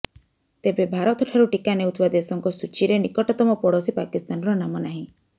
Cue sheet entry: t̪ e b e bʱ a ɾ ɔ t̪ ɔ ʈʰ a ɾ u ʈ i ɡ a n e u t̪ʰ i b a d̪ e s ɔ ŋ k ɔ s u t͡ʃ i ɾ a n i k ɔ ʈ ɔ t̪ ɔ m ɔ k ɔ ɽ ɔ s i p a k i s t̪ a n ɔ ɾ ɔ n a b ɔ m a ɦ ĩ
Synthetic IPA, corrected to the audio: t̪ e b e bʱ a ɾ ɔ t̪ ɔ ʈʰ a ɾ u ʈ i k a n e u t̪ʰ i b a d̪ e s ɔ ŋ k ɔ s u t͡ʃ i ɾ e n i k ɔ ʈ ɔ t̪ ɔ m ɔ p ɔ ɽ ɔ s i p a k i s t̪ a n ɔ ɾ ɔ n a m ɔ n a ɦ ĩ